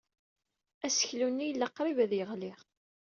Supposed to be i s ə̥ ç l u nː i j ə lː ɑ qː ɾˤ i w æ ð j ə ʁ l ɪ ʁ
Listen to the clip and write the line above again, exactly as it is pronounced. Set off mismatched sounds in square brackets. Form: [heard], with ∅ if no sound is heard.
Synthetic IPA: [æ] s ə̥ ç l u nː i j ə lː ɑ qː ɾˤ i [v] æ ð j ə ʁ l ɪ ʁ